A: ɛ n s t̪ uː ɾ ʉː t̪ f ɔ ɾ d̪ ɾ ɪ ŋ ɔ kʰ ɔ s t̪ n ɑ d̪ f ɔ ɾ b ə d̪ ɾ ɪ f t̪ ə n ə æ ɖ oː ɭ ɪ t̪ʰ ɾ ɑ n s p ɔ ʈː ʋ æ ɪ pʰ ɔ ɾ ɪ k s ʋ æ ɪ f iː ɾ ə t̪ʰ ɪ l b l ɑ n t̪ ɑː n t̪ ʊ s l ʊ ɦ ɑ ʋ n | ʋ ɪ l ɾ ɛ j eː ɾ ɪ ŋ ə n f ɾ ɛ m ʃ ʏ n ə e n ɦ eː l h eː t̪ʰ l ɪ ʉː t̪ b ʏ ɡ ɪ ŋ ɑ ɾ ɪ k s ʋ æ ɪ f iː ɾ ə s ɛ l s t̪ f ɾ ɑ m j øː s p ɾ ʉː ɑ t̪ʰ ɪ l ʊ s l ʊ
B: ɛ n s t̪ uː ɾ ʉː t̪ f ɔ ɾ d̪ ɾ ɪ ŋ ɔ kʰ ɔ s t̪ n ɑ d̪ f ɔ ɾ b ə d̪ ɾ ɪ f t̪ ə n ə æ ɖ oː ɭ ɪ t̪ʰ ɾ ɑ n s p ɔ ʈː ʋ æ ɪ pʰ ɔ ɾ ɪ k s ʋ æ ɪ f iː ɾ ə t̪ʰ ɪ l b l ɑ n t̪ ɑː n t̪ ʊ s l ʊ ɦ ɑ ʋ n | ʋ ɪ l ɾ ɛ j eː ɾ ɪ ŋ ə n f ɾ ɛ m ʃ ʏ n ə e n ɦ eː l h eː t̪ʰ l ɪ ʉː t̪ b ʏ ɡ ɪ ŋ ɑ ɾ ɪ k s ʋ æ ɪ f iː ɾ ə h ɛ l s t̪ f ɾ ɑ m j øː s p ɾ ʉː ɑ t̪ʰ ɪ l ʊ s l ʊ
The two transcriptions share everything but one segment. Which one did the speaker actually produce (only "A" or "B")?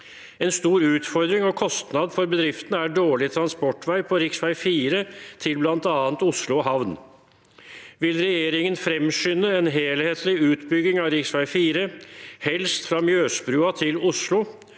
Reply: B